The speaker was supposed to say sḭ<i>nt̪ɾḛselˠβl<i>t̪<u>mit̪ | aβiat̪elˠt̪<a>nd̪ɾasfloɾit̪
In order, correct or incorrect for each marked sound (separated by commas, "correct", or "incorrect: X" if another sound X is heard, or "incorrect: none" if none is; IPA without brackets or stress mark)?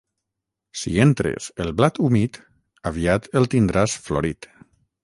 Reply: incorrect: e, incorrect: a, correct, incorrect: i